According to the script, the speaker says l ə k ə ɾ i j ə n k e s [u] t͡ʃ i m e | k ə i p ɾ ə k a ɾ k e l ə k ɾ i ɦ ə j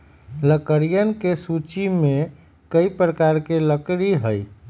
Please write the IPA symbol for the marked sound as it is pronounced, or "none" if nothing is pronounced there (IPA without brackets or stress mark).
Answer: u